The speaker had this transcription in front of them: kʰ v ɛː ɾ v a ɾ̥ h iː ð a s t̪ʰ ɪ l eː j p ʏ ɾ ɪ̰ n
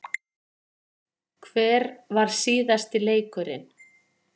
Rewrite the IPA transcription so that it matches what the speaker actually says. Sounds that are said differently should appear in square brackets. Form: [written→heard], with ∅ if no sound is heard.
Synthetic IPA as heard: kʰ v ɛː ɾ v a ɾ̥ [h→s] iː ð a s [t̪ʰ→t̪] ɪ l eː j [p→k] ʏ ɾ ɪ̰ n